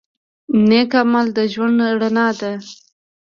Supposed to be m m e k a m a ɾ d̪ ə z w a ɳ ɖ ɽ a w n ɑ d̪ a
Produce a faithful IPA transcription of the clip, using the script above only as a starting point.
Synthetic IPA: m n e k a m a l d̪ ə ʒ w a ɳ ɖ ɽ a n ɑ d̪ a